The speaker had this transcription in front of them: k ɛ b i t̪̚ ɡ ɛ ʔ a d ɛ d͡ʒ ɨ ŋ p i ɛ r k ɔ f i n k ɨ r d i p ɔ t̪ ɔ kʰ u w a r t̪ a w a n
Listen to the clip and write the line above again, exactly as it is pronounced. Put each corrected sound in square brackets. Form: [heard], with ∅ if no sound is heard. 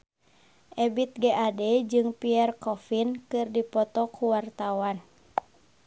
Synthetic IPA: [ʔ] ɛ b i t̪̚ ɡ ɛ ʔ a d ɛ d͡ʒ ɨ ŋ p i ɛ r k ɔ f i n k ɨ r d i p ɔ t̪ ɔ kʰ u w a r t̪ a w a n

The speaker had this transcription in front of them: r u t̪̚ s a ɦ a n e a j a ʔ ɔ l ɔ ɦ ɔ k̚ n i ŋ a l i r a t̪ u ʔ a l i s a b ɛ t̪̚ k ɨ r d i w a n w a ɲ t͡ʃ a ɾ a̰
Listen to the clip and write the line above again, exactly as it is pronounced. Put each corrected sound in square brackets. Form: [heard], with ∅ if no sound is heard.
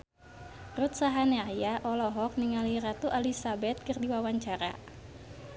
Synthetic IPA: r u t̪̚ s a ɦ a n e a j a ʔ ɔ l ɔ ɦ ɔ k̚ n i ŋ a l i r a t̪ u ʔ a l i s a b ɛ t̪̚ k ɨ r d i w a [∅] w a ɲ t͡ʃ a ɾ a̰

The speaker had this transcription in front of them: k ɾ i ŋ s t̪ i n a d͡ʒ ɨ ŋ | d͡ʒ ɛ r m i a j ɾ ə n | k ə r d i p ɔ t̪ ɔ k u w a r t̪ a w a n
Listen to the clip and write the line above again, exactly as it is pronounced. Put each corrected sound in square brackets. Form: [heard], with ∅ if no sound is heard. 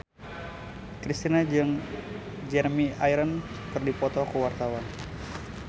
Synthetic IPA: k ɾ i [∅] s t̪ i n a d͡ʒ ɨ ŋ | d͡ʒ ɛ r m i a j ɾ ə n | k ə r d i p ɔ t̪ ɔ k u w a r t̪ a w a n

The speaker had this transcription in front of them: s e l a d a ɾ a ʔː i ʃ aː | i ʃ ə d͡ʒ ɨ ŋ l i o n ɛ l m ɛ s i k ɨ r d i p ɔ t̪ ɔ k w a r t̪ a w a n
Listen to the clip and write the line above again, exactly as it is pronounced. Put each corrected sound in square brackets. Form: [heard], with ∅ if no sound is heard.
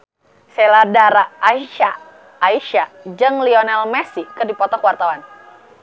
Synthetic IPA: s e l a d a ɾ a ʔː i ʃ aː | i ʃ [a] d͡ʒ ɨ ŋ l i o n ɛ l m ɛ s i k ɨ r d i p ɔ t̪ ɔ k w a r t̪ a w a n

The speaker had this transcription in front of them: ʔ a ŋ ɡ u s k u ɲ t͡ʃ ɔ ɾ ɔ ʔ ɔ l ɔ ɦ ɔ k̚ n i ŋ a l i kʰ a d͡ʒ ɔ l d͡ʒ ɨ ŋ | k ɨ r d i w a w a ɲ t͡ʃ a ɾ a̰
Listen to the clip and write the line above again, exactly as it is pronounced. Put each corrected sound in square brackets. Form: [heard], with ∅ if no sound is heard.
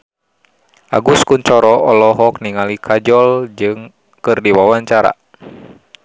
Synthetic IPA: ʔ a [∅] ɡ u s k u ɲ t͡ʃ ɔ ɾ ɔ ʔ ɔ l ɔ ɦ ɔ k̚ n i ŋ a l i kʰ a d͡ʒ ɔ l d͡ʒ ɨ ŋ | k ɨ r d i w a w a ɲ t͡ʃ a ɾ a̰

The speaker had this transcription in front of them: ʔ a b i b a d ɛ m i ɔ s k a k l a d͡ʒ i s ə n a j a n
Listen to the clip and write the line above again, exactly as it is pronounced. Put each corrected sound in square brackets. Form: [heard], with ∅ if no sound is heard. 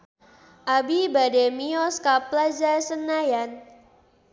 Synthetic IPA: ʔ a b i b a d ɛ m i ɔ s k a [p] l a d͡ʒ [a] s ə n a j a n

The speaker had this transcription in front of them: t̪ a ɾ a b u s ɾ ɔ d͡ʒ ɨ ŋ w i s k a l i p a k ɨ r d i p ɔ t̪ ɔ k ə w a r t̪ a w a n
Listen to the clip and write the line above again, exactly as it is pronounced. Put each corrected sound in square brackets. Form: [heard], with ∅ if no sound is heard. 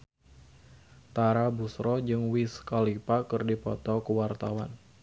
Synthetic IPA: t̪ a ɾ a b u s ɾ ɔ d͡ʒ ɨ ŋ w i s k a l i p a k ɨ r d i p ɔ t̪ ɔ k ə w a r t̪ a w a n

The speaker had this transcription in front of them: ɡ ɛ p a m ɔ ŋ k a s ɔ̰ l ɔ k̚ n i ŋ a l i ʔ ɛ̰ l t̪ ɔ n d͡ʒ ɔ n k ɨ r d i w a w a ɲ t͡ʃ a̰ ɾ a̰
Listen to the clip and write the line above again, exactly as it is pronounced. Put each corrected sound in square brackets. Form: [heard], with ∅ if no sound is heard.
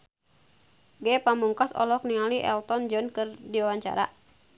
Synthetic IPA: ɡ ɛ p a m [u] ŋ k a s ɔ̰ l ɔ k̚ n i ŋ a l i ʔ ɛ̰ l t̪ ɔ n d͡ʒ ɔ n k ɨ r d i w a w a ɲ t͡ʃ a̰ ɾ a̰

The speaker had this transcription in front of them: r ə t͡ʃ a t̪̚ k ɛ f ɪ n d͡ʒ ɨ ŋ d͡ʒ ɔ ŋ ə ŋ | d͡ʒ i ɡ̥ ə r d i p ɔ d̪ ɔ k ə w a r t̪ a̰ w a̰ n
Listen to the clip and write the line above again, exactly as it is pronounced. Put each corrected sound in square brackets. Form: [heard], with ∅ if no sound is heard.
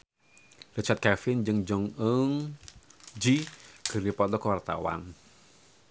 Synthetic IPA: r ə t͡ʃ a t̪̚ k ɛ f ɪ n d͡ʒ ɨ ŋ d͡ʒ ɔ ŋ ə ŋ | d͡ʒ i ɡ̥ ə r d i p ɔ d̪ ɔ k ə w a r t̪ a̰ w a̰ n

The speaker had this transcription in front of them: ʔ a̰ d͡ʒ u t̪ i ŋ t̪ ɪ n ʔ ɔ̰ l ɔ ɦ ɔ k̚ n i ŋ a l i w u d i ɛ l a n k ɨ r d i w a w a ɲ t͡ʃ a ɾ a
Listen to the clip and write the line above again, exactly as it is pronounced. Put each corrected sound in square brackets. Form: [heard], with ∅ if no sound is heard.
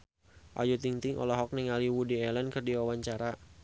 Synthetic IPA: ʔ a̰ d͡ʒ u t̪ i ŋ t̪ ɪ [ŋ] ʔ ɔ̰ l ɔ ɦ ɔ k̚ n i ŋ a l i w u d i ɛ l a n k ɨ r d i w a w a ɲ t͡ʃ a ɾ a

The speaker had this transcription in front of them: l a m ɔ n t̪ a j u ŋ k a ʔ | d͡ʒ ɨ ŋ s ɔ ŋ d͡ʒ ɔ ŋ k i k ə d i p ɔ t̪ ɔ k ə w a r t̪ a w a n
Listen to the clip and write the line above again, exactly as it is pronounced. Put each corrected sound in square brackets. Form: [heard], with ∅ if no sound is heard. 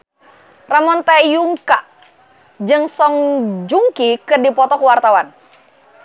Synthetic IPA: [r] a m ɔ n t̪ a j u ŋ k a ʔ | d͡ʒ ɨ ŋ s ɔ ŋ d͡ʒ [u] ŋ k i k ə d i p ɔ t̪ ɔ k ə w a r t̪ a w a n

